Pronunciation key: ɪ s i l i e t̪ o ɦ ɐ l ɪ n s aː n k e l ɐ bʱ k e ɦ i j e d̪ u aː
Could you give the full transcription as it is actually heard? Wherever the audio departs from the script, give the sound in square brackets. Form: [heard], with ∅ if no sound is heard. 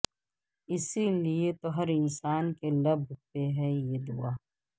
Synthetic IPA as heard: ɪ s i l i e t̪ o ɦ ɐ [ɾ] ɪ n s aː n k e l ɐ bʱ [p] e ɦ [ɛ] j e d̪ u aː